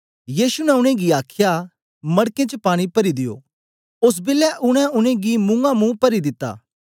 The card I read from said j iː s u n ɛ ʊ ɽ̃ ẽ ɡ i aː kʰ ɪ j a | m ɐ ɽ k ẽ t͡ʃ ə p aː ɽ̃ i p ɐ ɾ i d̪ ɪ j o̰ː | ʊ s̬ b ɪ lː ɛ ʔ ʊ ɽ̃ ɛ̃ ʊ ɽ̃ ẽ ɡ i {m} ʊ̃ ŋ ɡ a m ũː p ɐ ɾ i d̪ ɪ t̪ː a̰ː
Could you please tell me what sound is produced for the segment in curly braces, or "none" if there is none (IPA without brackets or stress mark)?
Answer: m